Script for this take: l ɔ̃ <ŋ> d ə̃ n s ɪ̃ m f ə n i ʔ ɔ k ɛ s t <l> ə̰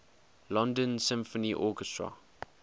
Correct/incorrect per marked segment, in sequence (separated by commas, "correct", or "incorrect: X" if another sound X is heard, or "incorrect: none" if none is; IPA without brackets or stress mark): incorrect: n, incorrect: ɹ